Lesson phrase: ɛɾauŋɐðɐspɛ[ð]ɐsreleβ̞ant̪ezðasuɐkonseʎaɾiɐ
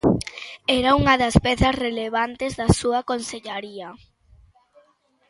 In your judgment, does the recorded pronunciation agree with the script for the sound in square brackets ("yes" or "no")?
no